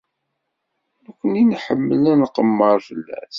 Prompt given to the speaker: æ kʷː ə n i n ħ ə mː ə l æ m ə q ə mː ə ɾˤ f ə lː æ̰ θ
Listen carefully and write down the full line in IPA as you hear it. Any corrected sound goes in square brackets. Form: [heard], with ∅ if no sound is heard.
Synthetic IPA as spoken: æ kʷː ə n i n ħ ə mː ə l æ [n] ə q ə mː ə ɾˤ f ə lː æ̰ θ